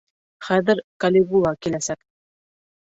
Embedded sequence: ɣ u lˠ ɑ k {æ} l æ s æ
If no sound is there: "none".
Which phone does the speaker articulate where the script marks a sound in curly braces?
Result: i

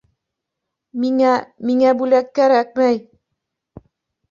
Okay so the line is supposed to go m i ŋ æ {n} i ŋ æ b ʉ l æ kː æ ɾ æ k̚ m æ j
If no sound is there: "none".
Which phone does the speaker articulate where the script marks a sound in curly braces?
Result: m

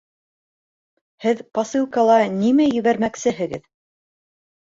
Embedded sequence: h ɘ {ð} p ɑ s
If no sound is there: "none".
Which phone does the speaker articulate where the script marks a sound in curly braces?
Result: ð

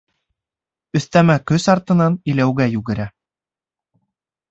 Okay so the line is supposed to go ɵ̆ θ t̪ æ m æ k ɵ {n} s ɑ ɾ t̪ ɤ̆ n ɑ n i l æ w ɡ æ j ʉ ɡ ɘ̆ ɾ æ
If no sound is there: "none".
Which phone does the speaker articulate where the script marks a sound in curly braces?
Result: none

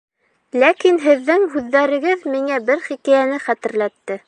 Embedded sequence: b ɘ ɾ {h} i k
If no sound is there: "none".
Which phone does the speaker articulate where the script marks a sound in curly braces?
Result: χ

